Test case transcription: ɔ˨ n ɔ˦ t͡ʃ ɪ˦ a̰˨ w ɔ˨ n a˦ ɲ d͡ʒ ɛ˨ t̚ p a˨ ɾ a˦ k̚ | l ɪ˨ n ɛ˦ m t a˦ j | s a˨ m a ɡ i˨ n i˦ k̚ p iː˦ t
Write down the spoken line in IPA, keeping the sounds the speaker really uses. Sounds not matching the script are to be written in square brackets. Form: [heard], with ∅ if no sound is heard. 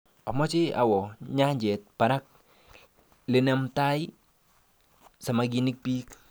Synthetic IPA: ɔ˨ [m] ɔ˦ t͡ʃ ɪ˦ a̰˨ w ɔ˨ [ɲ] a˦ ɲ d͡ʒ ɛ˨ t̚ p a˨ ɾ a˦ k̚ | l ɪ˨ n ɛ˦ m t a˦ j | s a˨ m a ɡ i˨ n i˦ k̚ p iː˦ [k]